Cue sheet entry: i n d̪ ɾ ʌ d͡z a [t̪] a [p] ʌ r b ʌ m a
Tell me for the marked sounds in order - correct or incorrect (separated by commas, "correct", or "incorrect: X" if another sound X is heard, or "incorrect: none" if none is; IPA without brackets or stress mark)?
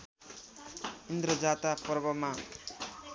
correct, correct